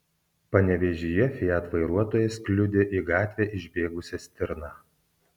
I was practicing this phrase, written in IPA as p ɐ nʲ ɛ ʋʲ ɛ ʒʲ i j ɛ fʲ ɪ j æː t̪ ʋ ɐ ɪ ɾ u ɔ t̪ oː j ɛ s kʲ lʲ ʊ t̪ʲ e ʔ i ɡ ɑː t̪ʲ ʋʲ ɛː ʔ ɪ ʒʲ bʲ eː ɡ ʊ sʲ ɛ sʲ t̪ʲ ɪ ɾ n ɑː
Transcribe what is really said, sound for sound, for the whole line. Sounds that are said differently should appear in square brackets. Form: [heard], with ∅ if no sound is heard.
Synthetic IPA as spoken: p ɐ nʲ ɛ ʋʲ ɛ ʒʲ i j ɛ fʲ ɪ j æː t̪ ʋ ɐ ɪ ɾ u ɔ t̪ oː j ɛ s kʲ lʲ ʊ [d̪ʲ] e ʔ i ɡ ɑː t̪ʲ ʋʲ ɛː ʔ ɪ ʒʲ bʲ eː ɡ ʊ sʲ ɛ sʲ t̪ʲ ɪ ɾ n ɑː

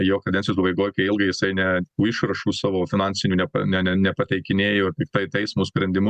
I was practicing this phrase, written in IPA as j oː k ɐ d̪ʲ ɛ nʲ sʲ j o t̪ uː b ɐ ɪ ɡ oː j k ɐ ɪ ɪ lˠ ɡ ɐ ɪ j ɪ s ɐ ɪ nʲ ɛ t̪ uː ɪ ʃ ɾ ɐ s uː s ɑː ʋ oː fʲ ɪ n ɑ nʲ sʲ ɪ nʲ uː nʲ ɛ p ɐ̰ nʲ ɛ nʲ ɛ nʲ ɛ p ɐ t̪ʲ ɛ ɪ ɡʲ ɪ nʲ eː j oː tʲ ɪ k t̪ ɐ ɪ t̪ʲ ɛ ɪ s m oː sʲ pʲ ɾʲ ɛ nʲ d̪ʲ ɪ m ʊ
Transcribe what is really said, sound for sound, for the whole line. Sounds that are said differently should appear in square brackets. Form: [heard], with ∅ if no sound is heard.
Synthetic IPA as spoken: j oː k ɐ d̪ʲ ɛ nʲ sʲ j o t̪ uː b ɐ ɪ ɡ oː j k ɐ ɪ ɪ lˠ ɡ ɐ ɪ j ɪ s ɐ ɪ nʲ ɛ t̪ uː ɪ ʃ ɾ ɐ [ʃ] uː s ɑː ʋ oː fʲ ɪ n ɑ nʲ sʲ ɪ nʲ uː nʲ ɛ p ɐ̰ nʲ ɛ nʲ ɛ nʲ ɛ p ɐ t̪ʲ ɛ ɪ [kʲ] ɪ nʲ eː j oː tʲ ɪ k t̪ ɐ ɪ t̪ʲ ɛ ɪ s m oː sʲ pʲ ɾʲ ɛ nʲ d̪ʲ ɪ m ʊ

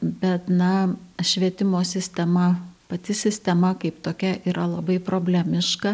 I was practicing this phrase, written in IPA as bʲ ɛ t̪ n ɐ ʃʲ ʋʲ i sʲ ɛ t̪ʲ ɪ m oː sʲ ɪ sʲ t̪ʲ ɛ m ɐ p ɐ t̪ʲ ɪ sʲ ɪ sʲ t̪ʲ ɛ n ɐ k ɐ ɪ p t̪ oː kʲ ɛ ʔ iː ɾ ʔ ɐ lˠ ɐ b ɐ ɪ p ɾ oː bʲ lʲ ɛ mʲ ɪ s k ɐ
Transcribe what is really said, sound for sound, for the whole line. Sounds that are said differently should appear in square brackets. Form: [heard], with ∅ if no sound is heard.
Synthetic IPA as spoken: bʲ ɛ t̪ n ɐ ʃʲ ʋʲ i [∅] ɛ t̪ʲ ɪ m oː sʲ ɪ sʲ t̪ʲ ɛ m ɐ p ɐ t̪ʲ ɪ sʲ ɪ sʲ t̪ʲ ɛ [m] ɐ k ɐ ɪ p t̪ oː kʲ ɛ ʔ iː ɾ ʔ ɐ lˠ ɐ b ɐ ɪ p ɾ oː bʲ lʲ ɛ mʲ ɪ [ʃ] k ɐ

